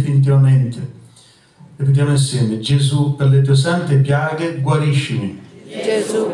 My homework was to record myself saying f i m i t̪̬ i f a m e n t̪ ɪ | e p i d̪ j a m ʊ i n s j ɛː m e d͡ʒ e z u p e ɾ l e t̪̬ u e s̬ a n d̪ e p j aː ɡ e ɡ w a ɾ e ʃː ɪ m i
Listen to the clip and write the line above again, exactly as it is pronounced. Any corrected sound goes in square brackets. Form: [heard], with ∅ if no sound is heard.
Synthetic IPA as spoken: f i [n] i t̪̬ i [v] a m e n t̪ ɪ | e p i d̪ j a m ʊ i n s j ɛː m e d͡ʒ e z u p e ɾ l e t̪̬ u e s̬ a n [t̪] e p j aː ɡ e ɡ w a ɾ [i] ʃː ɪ m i